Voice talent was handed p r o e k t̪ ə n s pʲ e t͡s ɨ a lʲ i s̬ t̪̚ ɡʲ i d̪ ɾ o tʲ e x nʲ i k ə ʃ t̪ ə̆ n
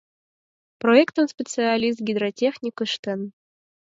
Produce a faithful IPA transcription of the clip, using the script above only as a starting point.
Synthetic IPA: p r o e k t̪ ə n s pʲ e t͡s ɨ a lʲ i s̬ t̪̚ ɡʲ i d̪ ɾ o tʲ e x nʲ i k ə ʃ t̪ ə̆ n